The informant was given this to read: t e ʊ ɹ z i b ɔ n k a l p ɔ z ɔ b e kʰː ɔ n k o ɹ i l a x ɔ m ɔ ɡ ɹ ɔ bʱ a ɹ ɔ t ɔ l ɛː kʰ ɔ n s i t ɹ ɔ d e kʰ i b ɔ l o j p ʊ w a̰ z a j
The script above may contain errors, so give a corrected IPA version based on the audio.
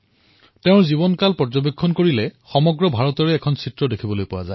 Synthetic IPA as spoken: t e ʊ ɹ z i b ɔ n k a l p ɔ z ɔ b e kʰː ɔ n k o ɹ i l ɛ x ɔ m ɔ ɡ ɹ ɔ bʱ a ɹ ɔ t ɔ ɹ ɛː kʰ ɔ n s i t ɹ ɔ d e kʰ i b ɔ l o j p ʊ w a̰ z a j